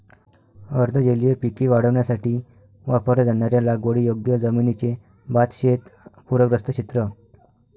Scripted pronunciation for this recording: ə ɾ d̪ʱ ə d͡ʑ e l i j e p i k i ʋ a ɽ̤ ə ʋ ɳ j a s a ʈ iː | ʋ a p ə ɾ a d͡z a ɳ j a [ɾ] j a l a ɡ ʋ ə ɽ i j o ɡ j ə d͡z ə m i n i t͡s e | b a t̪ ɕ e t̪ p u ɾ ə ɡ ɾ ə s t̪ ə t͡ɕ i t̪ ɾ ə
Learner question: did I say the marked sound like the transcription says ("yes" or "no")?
yes